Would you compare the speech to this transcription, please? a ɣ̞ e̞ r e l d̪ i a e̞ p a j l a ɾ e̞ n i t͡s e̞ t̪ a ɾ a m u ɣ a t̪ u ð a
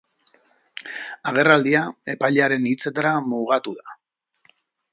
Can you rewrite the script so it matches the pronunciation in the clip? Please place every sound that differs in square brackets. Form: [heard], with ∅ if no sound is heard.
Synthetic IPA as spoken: a ɣ̞ e̞ r [a] l d̪ i a e̞ p a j [ʎ] a ɾ e̞ n i t͡s e̞ t̪ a ɾ a m u ɣ a t̪ u ð a